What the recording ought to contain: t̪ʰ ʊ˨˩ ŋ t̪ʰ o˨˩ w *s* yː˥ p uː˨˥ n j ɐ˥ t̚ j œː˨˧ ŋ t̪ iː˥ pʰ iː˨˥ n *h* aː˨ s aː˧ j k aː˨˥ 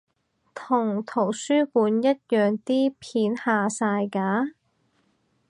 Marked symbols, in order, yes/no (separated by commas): yes, yes